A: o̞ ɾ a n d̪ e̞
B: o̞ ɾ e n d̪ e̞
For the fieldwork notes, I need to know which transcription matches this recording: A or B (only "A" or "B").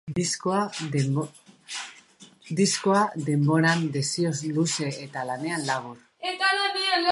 A